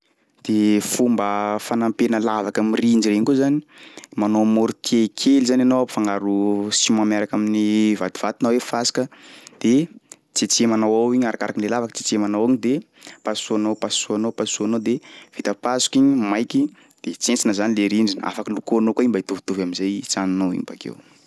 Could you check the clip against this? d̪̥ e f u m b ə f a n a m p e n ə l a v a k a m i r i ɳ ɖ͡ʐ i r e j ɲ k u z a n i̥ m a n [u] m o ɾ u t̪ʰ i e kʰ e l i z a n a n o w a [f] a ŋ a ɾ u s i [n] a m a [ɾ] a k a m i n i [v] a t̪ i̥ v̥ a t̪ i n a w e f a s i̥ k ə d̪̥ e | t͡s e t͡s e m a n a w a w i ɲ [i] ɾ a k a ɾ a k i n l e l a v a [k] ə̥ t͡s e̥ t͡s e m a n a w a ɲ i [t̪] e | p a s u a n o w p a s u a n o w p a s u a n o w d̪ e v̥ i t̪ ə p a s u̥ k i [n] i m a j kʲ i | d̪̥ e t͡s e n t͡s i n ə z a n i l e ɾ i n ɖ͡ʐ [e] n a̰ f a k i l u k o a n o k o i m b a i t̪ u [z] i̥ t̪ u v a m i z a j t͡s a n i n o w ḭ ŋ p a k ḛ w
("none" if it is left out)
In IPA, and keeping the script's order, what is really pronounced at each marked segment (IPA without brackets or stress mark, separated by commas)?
o, f, m, ɾ, v, a, k, d̪, ɲ, i, v